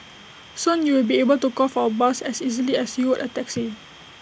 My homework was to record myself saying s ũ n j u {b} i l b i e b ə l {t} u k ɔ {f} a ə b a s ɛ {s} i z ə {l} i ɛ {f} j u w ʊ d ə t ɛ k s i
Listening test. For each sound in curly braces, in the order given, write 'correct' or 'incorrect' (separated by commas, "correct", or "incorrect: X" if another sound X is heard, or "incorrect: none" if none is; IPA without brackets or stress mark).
incorrect: w, correct, correct, correct, correct, incorrect: s